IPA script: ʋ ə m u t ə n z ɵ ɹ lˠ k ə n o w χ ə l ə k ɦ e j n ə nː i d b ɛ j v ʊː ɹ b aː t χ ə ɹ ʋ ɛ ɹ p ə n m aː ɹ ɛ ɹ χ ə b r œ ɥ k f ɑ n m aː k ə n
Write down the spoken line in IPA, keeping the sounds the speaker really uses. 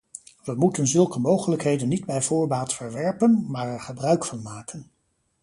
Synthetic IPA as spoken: ʋ ə m u t ə n z ɵ lˠ k ə m o w χ ə l ə k ɦ e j d ə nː i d b ɛ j v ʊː ɹ b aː t f ə ɹ ʋ ɛ ɹ p ə n m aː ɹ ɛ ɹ χ ə b r œ ɥ k f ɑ n m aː k ə n